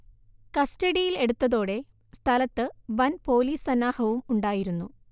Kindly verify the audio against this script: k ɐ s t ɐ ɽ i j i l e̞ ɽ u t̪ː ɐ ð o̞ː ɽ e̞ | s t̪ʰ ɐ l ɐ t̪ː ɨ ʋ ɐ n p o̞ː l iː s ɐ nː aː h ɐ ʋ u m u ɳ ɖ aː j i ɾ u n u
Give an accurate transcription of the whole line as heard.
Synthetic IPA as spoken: k ɐ s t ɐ ɽ i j i l e̞ ɽ u t̪ː ɐ ð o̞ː ɽ e̞ | s t̪ʰ ɐ l ɐ t̪ː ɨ ʋ ɐ n p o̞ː l iː s ɐ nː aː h ɐ ʋ u m u ɳ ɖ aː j i ɾ u nː u